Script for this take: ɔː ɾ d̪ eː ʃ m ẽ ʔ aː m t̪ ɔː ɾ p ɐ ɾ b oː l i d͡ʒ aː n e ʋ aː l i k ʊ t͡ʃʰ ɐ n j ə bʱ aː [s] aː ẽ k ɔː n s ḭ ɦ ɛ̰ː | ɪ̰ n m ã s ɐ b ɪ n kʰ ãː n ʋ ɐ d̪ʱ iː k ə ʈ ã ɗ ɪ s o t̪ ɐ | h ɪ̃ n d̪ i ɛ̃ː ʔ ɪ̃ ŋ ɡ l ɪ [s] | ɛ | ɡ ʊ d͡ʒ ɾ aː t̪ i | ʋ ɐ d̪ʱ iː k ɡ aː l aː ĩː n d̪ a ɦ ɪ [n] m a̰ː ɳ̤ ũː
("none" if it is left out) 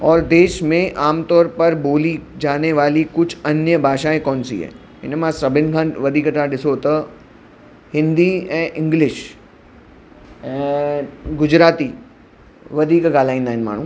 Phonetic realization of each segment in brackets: ʃ, ʃ, n

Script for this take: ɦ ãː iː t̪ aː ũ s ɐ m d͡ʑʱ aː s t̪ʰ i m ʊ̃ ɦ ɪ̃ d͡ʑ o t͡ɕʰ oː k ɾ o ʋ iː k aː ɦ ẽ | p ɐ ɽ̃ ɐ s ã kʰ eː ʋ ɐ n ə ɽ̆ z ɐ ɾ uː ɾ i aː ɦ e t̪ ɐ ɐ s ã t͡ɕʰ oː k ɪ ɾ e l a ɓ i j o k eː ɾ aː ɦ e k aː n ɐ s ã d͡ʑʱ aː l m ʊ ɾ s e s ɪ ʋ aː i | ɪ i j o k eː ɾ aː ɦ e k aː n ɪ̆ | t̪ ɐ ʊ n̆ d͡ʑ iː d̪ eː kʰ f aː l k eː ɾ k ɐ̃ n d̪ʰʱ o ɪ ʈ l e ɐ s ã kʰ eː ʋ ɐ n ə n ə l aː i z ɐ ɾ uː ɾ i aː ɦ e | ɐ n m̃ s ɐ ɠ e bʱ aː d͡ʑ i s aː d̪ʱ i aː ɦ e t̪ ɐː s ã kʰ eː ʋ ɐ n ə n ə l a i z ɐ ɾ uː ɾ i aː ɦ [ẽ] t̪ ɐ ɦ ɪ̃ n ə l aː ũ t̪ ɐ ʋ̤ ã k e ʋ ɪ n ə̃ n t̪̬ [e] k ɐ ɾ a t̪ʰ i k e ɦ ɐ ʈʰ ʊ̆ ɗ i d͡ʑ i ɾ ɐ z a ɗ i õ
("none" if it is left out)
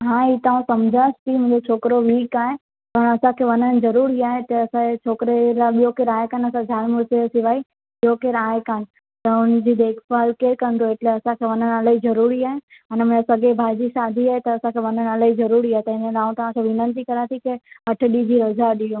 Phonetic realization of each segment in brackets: e, i

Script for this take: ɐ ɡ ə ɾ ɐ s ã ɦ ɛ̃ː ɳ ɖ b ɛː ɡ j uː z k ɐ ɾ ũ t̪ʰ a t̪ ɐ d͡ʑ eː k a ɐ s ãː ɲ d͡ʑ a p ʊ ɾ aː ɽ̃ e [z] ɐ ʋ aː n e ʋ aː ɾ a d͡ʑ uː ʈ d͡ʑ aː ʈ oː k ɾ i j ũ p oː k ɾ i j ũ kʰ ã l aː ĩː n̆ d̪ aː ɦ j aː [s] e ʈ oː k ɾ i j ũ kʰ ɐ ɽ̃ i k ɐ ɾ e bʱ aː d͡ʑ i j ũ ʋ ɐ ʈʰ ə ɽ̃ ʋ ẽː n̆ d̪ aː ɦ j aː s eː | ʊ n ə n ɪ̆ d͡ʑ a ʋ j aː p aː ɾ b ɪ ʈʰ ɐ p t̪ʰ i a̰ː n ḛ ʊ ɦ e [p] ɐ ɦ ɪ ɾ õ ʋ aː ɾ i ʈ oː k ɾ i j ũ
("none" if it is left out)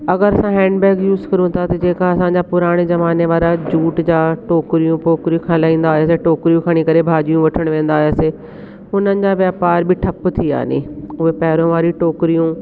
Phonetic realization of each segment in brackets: z, s, p

